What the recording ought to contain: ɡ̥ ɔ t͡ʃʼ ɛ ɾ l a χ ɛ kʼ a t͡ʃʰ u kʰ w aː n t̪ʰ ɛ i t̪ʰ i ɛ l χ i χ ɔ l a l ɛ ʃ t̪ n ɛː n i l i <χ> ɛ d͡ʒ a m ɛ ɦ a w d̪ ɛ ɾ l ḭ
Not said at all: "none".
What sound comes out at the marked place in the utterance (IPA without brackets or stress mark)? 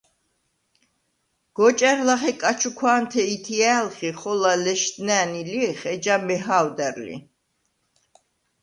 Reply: χ